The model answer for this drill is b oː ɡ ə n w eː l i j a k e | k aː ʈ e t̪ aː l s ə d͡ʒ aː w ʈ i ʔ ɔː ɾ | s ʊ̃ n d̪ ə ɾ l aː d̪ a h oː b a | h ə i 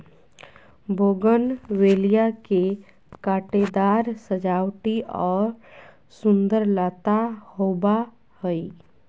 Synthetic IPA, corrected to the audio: b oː ɡ ə n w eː l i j a k e | k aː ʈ e d̪ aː ɾ s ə d͡ʒ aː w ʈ i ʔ ɔː ɾ | s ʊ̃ n d̪ ə ɾ l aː t̪ a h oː b a | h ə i